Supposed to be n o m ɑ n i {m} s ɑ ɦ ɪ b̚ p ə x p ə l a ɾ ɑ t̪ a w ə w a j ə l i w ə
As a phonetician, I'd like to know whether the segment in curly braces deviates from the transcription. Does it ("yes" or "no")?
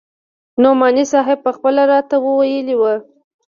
yes